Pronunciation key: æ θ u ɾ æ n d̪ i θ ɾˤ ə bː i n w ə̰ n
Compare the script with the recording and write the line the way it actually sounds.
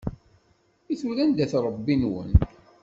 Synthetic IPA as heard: i θ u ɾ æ n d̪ æ θ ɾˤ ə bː i n w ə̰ n

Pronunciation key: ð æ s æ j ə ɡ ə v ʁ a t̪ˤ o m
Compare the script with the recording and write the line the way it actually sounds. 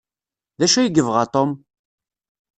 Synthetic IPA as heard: ð æ ʃ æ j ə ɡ ə v ʁ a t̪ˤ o m

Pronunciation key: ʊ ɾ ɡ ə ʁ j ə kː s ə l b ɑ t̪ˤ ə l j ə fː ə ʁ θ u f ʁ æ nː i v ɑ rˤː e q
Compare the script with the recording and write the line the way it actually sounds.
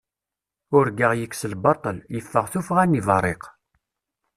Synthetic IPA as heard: ʊ ɾ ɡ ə ʁ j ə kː s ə l b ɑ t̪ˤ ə l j ə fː ə ʁ θ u f ʁ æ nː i v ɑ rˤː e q

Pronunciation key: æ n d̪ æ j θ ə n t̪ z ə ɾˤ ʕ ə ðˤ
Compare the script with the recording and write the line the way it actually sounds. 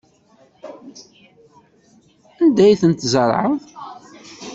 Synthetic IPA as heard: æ n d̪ æ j θ ə n t̪ z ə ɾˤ ʕ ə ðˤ

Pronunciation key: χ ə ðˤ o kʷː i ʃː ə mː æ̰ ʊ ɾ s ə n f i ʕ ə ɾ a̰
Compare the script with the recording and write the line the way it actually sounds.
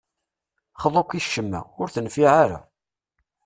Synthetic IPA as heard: χ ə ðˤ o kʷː i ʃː ə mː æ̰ ʊ ɾ θ ə n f i ʕ a ɾ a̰

